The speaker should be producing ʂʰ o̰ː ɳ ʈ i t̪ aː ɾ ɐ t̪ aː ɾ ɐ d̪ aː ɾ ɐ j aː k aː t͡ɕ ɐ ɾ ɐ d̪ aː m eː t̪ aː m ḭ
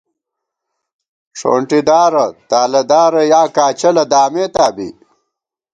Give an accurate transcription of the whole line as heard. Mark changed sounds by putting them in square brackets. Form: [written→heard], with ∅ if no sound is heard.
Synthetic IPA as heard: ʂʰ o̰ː ɳ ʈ i [t̪→d̪] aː ɾ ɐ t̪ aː [ɾ→l] ɐ d̪ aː ɾ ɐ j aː k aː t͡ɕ ɐ [ɾ→l] ɐ d̪ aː m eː t̪ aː [m→b] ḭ